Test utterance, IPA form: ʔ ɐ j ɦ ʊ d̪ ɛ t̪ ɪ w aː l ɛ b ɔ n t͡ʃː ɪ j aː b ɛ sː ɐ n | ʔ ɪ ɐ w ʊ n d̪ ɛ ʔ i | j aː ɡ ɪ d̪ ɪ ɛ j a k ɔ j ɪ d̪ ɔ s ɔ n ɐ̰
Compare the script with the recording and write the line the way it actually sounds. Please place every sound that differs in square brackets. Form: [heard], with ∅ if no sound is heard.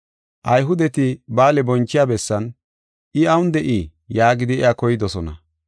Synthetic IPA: ʔ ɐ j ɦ ʊ d̪ ɛ t̪ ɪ [b] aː l ɛ b ɔ n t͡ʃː ɪ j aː b ɛ sː ɐ n | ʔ ɪ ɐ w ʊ n d̪ ɛ ʔ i | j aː ɡ ɪ d̪ ɪ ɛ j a k ɔ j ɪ d̪ ɔ s ɔ n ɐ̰